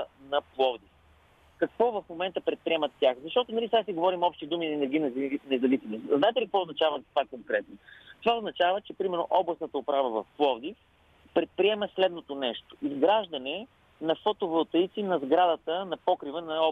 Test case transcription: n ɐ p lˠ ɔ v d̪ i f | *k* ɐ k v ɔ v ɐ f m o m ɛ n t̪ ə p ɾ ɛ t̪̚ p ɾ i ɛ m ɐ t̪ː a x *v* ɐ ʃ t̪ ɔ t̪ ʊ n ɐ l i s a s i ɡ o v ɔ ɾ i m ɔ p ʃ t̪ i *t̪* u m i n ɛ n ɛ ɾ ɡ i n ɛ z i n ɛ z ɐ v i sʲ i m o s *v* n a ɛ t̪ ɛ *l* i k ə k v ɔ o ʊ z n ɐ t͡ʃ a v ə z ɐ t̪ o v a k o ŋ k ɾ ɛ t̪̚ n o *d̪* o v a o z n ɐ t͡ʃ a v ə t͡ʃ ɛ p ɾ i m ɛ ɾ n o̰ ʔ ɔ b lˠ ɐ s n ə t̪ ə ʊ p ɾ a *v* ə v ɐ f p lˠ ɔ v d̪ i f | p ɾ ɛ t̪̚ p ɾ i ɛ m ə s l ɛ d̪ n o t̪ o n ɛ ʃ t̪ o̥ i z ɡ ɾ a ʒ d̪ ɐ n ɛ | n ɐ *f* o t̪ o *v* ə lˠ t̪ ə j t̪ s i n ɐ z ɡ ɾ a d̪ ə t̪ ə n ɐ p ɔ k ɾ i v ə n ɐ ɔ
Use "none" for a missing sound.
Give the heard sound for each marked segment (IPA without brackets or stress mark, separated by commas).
k, z, d̪, z, l, t̪, v, f, v